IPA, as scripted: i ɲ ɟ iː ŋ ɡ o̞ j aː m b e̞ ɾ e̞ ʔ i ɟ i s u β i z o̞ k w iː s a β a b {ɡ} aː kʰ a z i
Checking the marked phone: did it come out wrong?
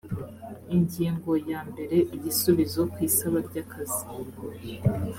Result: yes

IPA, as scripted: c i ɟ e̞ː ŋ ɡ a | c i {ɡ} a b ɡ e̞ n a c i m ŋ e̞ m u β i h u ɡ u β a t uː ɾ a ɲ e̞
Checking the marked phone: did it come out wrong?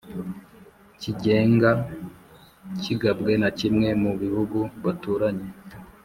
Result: no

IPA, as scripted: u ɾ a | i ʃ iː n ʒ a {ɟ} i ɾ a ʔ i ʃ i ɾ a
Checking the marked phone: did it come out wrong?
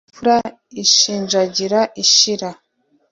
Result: no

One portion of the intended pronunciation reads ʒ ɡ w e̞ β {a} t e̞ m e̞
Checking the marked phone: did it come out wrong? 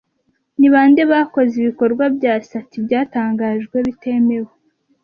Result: yes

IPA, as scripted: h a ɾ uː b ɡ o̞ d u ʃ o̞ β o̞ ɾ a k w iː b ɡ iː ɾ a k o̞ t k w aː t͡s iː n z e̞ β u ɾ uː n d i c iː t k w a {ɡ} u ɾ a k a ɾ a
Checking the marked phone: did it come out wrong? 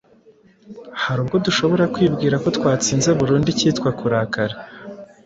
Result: yes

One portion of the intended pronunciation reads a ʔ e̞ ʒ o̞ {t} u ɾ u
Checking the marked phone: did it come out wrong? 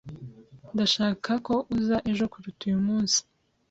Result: yes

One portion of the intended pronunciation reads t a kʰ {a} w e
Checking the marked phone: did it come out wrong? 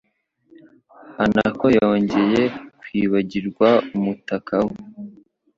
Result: no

